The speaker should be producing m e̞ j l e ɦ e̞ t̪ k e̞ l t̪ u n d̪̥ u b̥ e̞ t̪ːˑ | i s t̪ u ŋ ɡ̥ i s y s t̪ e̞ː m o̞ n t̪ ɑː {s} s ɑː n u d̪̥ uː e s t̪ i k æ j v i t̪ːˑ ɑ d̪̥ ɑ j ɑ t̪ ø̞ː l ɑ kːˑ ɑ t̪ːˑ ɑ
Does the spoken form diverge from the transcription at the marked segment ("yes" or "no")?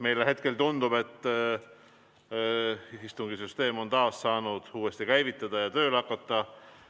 no